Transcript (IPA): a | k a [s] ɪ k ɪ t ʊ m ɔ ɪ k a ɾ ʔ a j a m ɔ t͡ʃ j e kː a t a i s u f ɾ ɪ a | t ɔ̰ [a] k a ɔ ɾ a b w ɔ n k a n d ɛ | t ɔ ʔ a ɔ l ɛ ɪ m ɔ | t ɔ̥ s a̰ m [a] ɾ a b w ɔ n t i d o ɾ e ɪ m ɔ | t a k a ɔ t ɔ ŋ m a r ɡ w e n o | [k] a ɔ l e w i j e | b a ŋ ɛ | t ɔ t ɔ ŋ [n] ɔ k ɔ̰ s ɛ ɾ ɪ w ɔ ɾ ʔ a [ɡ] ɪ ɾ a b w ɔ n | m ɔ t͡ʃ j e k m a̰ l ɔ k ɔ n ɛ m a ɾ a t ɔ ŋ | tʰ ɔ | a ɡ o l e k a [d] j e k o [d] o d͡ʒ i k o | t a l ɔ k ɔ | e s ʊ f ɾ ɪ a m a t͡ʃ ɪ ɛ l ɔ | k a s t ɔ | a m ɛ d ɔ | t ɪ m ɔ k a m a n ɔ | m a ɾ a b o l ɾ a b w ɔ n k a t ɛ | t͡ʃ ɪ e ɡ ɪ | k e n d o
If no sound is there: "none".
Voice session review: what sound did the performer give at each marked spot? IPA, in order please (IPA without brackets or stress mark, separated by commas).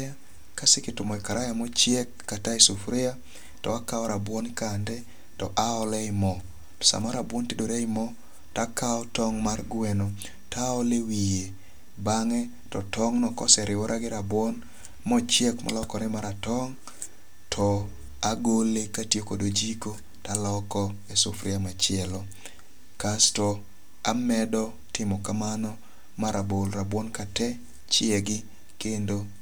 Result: s, a, a, t, n, ɡ, t, d